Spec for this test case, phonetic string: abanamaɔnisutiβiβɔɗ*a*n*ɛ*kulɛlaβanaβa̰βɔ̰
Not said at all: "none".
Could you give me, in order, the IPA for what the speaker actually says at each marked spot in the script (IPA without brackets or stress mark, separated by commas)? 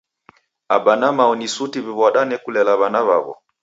a, ɛ